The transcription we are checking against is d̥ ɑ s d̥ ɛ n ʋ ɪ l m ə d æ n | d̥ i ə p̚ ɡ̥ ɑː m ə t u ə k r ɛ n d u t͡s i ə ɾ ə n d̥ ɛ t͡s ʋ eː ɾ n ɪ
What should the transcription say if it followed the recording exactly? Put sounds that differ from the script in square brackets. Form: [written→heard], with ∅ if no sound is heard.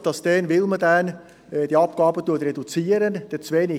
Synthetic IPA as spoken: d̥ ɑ s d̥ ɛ n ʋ ɪ l m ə d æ n | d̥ i [ə→ɑ] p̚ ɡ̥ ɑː [m→b] ə t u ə [k→t] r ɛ [n→∅] d u t͡s [i→iː] ə ɾ ə n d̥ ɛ t͡s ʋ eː [ɾ→∅] n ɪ